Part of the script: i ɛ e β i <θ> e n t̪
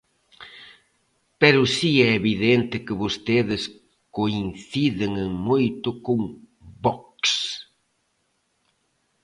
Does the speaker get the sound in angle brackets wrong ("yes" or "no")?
yes